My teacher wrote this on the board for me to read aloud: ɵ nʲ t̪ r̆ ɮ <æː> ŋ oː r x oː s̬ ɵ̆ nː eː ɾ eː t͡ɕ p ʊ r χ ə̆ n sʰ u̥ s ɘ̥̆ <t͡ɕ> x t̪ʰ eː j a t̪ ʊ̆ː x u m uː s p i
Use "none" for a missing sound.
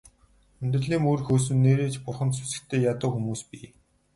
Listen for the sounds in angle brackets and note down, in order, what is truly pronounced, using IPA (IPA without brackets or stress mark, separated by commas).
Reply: iː, none